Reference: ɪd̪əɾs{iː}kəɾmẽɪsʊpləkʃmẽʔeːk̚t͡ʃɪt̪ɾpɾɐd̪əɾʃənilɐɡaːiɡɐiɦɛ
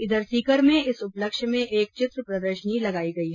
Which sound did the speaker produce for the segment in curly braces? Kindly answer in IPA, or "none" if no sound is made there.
iː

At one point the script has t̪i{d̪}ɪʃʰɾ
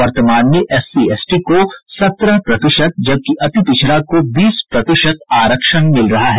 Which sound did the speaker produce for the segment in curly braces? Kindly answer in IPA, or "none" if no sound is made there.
t̪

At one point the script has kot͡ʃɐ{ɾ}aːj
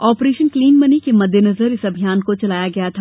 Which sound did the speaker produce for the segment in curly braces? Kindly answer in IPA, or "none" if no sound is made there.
l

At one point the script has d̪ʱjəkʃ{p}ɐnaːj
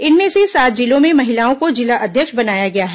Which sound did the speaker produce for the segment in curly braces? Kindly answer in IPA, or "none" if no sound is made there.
b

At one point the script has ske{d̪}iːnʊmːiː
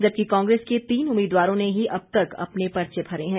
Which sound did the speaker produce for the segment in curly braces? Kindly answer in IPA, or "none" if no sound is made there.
t̪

